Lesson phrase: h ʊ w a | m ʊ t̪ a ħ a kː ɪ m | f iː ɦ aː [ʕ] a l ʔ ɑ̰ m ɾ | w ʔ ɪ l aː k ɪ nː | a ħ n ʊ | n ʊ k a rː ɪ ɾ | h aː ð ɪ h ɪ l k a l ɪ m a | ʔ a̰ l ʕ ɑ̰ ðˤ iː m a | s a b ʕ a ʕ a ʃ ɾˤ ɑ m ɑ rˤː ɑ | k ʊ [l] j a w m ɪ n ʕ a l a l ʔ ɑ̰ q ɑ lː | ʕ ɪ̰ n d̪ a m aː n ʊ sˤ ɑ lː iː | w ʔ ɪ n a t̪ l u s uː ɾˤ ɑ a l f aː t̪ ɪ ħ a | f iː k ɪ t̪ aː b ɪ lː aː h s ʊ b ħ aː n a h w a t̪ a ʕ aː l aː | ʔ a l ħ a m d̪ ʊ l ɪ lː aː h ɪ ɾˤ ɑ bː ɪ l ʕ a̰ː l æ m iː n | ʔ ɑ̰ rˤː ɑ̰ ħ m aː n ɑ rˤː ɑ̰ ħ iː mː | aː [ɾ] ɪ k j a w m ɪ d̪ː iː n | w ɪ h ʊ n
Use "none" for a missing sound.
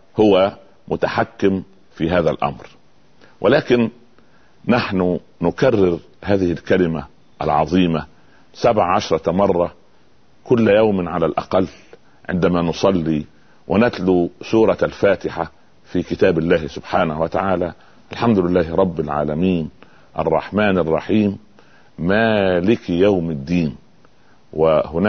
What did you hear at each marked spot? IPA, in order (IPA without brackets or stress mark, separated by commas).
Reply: ð, lː, l